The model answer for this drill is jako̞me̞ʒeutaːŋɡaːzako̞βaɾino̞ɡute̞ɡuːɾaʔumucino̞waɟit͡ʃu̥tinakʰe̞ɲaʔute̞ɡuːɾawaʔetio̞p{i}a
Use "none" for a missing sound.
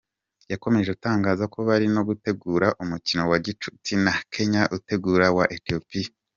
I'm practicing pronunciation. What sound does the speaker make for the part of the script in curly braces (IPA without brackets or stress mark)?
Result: i